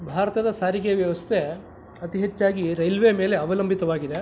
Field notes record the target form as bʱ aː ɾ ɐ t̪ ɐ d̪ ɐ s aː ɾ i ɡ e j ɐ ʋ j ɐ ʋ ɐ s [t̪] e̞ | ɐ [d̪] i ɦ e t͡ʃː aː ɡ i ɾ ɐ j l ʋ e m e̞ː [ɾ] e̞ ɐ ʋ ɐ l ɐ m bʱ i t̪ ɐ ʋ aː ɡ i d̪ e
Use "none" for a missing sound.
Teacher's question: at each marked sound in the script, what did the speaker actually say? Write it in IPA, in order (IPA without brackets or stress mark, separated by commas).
t̪ʰ, t̪, l